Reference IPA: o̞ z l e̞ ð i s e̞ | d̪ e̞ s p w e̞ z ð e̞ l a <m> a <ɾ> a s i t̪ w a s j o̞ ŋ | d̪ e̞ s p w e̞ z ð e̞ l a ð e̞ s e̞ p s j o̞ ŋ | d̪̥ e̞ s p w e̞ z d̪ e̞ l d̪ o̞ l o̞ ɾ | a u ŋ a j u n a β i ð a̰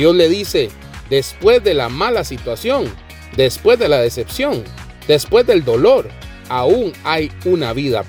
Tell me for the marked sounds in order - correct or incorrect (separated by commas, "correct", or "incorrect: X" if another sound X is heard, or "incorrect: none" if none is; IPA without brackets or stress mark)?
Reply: correct, incorrect: l